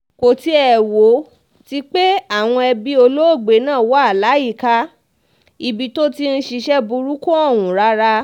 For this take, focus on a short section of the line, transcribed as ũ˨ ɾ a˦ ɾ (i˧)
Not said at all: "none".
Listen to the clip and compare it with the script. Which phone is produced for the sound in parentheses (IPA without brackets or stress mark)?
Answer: a˧